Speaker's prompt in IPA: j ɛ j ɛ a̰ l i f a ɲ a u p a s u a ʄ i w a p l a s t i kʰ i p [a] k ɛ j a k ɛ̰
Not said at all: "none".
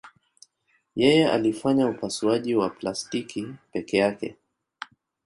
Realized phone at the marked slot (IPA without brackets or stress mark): ɛ